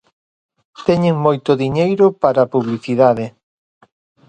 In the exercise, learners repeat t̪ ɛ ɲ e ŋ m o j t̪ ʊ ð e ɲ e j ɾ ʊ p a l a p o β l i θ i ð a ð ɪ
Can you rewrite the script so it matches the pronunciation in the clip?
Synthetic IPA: t̪ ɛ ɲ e ŋ m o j t̪ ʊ ð i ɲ e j ɾ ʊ p a ɾ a p u β l i θ i ð a ð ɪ